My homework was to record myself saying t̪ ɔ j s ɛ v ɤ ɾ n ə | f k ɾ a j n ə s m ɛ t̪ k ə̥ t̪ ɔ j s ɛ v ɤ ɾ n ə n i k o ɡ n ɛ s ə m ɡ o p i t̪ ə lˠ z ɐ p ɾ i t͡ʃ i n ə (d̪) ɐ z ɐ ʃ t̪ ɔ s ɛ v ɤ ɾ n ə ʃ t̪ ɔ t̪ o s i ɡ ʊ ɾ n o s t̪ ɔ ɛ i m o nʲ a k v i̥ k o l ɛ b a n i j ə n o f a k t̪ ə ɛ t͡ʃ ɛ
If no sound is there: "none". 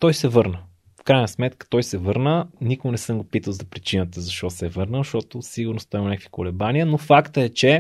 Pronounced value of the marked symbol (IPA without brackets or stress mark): t̪